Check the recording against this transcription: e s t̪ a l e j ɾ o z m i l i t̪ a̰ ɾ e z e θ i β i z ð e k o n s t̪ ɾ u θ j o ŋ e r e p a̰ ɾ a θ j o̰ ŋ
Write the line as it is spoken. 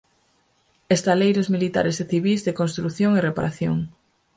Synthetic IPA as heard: e s t̪ a l e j ɾ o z m i l i t̪ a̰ ɾ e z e θ i β i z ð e k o n s t̪ ɾ u θ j o ŋ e r e p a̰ ɾ a θ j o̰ ŋ